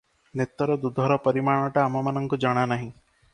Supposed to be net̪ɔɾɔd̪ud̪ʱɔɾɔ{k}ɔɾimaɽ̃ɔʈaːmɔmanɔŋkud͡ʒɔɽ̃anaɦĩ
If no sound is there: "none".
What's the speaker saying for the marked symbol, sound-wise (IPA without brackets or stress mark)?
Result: p